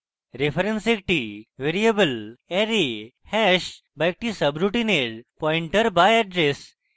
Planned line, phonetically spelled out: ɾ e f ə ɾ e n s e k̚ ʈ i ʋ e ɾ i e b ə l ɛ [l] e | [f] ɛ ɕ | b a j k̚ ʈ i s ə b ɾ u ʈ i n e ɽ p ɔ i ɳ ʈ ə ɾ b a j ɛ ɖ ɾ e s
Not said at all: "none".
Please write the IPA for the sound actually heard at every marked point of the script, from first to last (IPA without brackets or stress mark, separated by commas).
ɾ, h